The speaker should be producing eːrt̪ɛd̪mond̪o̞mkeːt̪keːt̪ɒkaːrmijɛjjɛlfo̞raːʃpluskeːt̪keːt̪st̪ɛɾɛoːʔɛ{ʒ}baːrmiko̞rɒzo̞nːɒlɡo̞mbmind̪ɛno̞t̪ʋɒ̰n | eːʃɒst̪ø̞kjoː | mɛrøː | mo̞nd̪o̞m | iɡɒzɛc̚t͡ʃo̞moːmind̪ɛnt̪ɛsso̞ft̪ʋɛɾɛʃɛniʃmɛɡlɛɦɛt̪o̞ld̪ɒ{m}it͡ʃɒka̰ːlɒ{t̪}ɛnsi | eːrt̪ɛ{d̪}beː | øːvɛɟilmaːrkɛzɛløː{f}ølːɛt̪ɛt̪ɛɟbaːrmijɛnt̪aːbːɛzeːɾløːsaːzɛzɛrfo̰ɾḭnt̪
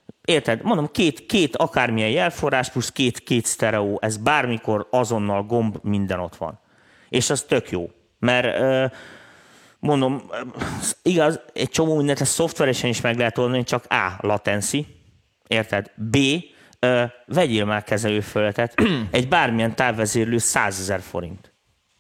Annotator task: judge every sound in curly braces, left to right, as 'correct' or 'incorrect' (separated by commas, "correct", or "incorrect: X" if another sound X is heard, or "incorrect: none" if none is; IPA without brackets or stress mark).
incorrect: z, incorrect: n, correct, correct, correct